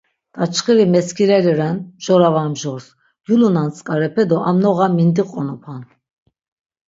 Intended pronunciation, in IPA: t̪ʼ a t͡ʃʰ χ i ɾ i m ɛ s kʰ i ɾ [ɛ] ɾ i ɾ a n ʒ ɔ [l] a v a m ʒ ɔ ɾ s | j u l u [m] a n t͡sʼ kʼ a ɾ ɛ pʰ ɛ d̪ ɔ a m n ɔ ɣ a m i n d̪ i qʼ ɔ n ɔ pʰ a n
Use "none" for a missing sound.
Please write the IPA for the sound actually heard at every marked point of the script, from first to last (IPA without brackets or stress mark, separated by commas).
ɛ, ɾ, n